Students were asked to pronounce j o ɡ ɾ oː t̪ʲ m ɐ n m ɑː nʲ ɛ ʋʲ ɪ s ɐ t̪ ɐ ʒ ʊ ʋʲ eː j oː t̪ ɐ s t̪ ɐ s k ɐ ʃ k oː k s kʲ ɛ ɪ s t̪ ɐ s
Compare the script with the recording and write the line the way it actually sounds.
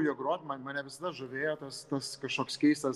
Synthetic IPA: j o ɡ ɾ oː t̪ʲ m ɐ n m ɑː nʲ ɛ ʋʲ ɪ s ɐ d̪ ɐ ʒ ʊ ʋʲ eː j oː t̪ ɐ s t̪ ɐ s k ɐ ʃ k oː k s kʲ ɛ ɪ s t̪ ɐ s